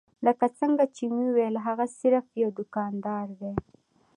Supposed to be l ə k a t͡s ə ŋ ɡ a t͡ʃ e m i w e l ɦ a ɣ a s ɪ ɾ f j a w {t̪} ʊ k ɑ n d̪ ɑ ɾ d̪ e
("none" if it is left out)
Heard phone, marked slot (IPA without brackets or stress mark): d̪